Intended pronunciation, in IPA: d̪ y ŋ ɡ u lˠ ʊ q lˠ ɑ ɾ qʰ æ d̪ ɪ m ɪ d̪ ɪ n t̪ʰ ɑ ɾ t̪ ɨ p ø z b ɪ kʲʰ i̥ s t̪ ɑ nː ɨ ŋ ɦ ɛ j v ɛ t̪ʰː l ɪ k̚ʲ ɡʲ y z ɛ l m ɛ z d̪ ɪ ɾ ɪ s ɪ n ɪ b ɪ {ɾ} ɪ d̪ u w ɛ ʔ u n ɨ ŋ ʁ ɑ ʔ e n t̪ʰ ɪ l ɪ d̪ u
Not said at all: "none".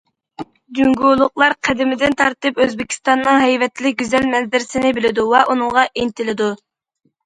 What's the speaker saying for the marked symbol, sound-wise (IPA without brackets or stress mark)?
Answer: l